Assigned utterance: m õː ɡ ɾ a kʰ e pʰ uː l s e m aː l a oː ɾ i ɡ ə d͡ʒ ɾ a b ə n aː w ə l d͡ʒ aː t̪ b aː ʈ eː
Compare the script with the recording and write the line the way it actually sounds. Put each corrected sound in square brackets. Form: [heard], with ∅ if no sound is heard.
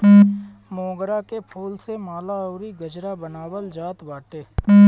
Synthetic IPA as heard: m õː ɡ ɾ a [k] e pʰ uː l s e m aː l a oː ɾ i ɡ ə d͡ʒ ɾ a b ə n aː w ə l d͡ʒ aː t̪ b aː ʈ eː